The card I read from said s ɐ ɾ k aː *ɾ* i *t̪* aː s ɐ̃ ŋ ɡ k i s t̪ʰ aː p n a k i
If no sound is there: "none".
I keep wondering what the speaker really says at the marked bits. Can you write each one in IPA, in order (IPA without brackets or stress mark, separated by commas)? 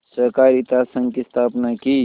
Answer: ɾ, t̪